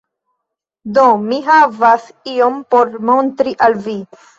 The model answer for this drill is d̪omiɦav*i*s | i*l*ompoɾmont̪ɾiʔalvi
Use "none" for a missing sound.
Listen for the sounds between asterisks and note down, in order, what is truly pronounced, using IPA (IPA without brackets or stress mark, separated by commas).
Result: a, none